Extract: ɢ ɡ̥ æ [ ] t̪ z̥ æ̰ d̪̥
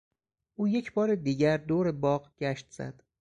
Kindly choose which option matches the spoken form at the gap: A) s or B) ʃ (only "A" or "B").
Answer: B